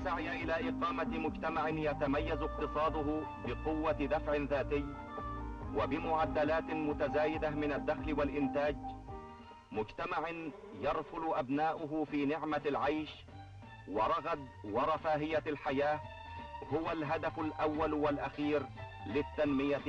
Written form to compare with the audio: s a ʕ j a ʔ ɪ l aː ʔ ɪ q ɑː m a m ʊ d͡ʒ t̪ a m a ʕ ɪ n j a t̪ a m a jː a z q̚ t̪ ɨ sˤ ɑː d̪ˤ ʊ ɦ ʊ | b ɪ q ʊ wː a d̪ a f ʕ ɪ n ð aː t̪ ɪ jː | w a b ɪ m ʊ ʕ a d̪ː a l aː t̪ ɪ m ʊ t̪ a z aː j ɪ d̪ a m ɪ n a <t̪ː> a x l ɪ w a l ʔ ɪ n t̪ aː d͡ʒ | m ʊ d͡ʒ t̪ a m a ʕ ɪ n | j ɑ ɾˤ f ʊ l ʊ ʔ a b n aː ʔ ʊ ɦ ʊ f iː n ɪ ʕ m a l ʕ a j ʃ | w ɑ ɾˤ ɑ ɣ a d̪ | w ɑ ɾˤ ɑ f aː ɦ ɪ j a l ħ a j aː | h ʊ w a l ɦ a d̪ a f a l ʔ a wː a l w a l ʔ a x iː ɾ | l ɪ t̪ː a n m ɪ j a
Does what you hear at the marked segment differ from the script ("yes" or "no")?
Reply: yes